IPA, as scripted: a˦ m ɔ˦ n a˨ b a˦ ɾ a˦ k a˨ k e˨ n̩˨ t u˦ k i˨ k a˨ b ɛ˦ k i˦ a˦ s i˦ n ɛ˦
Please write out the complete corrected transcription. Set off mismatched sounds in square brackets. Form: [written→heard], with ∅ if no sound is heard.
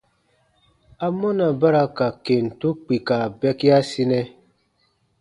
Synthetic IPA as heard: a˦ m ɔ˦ n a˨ b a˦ ɾ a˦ k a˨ k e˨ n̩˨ t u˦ [k→k͡p] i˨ k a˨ b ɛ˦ k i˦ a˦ s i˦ n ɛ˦